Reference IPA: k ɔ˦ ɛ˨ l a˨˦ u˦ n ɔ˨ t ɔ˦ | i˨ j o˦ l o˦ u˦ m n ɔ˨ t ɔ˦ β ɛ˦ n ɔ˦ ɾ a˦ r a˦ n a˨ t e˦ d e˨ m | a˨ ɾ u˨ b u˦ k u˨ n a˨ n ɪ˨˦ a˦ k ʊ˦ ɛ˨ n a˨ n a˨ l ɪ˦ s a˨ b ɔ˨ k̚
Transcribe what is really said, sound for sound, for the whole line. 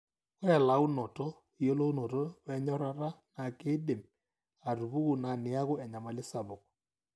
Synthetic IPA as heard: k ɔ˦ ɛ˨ l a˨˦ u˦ n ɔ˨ t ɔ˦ | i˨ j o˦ l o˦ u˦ n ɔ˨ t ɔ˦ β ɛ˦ ɲ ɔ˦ ɾ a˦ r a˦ n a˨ k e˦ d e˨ m | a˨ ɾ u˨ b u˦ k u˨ n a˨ n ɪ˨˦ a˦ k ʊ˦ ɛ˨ ɲ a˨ m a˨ l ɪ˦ s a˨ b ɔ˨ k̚